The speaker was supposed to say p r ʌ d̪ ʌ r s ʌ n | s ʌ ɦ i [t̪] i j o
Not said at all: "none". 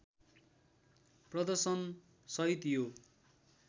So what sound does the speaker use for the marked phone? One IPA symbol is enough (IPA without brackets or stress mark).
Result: t̪